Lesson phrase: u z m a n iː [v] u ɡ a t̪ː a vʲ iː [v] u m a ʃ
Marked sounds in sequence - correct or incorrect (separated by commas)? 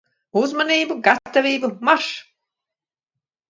incorrect, incorrect